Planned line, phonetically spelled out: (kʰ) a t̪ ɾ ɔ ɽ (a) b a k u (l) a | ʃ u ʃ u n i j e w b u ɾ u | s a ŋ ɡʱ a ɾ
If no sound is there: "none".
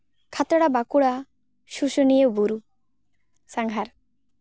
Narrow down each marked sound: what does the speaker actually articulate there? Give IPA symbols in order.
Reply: kʰ, a, ɽ

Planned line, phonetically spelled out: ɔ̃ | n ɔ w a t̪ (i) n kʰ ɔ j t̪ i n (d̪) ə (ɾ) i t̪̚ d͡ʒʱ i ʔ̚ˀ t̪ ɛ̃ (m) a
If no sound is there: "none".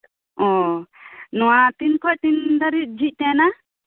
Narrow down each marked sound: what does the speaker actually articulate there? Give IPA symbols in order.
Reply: i, d̪, ɾ, n

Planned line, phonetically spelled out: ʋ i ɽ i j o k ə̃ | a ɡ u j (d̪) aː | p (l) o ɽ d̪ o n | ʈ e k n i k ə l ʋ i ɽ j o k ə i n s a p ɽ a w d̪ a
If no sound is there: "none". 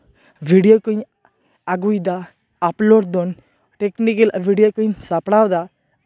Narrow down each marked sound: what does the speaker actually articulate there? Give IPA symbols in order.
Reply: d̪, l

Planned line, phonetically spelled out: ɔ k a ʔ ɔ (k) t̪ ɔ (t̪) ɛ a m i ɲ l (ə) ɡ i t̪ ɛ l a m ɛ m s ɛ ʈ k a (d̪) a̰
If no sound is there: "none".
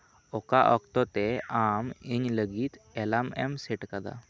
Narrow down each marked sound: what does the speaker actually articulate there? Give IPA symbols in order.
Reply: k, t̪, ə, d̪

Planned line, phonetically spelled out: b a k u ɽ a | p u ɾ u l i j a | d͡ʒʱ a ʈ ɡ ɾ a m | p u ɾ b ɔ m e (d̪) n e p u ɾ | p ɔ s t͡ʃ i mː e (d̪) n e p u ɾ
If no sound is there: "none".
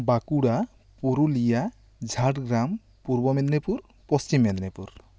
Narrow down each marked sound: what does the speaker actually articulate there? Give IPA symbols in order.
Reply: d̪, d̪

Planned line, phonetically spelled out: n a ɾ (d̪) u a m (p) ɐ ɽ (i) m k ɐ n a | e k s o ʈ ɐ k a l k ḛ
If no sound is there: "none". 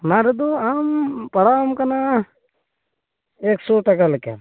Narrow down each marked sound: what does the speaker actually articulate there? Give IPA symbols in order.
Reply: d̪, p, a

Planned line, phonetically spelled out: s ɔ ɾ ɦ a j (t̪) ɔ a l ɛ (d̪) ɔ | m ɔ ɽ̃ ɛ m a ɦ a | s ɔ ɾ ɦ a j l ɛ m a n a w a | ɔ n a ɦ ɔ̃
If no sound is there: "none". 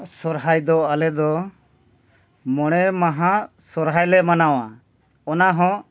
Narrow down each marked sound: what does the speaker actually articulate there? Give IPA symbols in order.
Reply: d̪, d̪

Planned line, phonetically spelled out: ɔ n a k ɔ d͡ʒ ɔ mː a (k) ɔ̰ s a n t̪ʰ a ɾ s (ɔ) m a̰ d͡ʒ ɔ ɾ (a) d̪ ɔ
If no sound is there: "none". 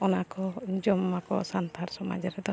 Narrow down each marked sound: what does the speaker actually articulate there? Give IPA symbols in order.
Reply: k, ɔ, ɛ

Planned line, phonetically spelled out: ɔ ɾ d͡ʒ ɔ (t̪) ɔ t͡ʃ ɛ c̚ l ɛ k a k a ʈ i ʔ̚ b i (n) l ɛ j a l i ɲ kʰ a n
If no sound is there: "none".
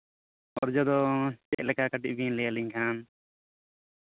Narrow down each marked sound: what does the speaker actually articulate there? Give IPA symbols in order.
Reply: d̪, n

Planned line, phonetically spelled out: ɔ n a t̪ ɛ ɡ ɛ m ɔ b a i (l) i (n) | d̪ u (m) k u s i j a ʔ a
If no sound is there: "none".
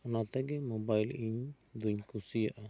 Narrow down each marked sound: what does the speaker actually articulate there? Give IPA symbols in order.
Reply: l, ɲ, ɲ

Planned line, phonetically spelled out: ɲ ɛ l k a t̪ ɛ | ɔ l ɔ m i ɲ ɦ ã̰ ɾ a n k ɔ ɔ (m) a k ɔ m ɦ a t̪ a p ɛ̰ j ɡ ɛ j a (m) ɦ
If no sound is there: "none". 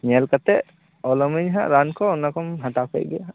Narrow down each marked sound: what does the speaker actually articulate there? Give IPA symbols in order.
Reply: n, none

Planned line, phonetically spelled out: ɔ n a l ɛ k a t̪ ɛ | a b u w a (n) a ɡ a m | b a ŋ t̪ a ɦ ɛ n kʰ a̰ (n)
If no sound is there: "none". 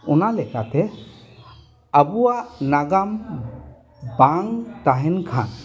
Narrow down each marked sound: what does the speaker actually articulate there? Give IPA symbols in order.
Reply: n, n

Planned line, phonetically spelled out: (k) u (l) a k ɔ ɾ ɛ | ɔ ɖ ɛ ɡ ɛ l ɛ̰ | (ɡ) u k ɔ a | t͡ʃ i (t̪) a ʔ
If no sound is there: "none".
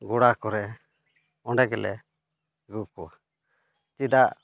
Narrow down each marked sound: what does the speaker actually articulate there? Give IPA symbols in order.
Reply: ɡ, ɽ, ɡ, d̪

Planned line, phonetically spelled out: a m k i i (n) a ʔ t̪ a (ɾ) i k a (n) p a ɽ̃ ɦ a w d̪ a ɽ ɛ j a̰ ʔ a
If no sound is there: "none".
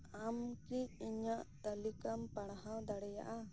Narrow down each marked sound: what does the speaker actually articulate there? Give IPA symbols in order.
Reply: ɲ, l, m

